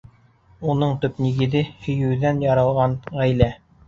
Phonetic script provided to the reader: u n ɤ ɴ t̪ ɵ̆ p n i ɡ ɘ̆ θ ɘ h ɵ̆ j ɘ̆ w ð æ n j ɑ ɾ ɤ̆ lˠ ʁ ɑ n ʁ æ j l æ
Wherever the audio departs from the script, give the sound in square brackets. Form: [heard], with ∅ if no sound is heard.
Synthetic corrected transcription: u n ɤ ɴ t̪ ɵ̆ p n i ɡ ɘ̆ [ð] ɘ h ɵ̆ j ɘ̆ w ð æ n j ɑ ɾ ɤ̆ lˠ ʁ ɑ n ʁ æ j l æ